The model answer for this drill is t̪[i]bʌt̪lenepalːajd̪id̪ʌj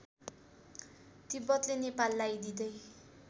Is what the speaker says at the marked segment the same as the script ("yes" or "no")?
yes